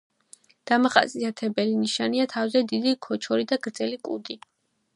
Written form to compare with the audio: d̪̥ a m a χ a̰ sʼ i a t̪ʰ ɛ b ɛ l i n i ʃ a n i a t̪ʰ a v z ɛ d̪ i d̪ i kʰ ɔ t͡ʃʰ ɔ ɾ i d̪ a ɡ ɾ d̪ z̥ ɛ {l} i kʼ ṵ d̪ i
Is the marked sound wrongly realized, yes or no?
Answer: no